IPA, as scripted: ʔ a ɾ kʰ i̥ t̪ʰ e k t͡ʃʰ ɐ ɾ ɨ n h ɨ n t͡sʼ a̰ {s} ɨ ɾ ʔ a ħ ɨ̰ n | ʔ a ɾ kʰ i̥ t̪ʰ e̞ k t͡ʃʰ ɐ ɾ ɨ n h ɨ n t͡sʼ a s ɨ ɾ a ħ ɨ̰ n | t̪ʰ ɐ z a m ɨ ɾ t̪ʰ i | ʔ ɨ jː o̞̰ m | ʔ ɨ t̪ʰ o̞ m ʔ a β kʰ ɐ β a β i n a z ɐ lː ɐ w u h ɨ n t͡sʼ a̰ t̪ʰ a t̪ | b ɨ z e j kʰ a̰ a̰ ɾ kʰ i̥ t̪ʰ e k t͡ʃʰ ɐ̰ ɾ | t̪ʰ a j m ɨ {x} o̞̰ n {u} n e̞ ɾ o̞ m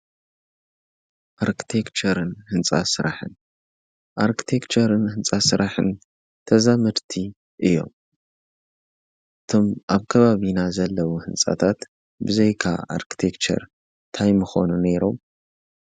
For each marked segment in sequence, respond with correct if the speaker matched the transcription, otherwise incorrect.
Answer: correct, correct, correct

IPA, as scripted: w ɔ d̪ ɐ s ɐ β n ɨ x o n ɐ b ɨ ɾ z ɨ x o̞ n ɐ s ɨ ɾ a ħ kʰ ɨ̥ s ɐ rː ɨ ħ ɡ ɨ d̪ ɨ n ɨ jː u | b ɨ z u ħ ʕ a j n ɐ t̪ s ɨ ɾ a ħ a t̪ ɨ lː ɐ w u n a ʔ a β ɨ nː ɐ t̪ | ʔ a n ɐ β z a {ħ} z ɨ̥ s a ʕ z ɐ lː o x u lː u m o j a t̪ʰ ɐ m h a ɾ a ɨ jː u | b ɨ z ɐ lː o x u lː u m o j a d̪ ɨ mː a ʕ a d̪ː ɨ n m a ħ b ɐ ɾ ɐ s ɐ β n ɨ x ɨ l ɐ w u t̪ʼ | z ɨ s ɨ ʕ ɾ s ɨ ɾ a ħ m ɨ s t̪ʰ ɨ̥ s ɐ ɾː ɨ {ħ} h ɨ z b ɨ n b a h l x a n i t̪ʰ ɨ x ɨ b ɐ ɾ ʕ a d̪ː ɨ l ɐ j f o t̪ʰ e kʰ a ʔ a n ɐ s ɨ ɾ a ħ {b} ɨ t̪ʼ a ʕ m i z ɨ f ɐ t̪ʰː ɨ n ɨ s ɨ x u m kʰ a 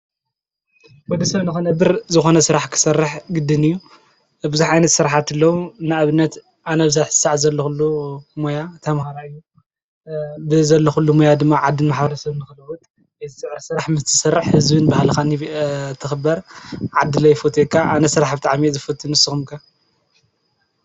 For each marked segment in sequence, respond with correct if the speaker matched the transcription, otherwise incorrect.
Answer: correct, correct, correct

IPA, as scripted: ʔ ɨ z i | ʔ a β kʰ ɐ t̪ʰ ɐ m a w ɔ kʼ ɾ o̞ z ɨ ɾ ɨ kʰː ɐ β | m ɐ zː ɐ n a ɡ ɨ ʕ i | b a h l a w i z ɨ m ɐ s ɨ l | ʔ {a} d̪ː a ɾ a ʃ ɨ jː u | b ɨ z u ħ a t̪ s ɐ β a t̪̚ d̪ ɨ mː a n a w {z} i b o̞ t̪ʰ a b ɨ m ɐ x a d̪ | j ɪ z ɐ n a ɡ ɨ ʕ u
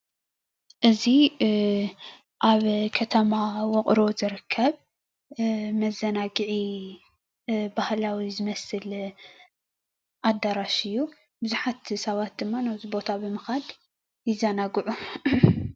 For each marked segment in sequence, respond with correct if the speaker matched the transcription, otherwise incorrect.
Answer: correct, correct

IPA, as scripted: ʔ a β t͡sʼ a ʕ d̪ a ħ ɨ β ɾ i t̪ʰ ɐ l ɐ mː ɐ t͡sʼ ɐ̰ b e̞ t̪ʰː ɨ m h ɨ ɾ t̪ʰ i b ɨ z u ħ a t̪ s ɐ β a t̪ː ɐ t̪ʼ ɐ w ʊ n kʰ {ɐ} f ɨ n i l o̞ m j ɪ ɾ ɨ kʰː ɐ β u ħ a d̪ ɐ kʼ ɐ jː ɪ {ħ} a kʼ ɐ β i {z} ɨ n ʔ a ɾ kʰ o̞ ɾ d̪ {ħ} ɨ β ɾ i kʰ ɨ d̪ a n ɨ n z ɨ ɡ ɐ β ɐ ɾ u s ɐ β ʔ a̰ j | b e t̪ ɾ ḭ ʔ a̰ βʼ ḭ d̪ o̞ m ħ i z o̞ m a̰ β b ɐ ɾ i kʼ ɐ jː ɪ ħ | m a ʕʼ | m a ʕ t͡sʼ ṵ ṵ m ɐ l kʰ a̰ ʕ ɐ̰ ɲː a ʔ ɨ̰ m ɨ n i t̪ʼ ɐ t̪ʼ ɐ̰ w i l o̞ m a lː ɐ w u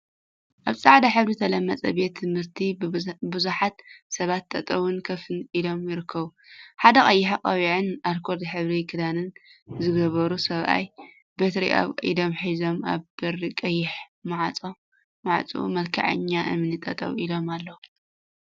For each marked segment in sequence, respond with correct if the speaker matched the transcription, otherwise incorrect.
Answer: correct, correct, incorrect: ʕ, correct

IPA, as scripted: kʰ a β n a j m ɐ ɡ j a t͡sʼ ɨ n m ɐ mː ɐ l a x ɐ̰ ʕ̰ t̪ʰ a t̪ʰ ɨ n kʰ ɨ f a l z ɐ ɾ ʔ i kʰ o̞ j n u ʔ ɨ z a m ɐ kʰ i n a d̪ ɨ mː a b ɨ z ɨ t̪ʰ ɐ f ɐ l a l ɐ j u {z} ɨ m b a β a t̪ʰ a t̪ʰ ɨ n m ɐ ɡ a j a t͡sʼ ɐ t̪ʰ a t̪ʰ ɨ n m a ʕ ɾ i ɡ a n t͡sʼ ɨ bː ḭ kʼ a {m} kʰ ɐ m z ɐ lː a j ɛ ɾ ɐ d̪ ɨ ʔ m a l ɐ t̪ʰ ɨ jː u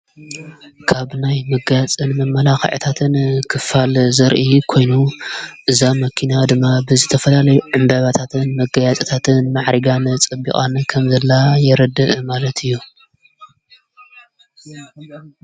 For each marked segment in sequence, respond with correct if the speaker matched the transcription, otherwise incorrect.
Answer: incorrect: ʕ, incorrect: n

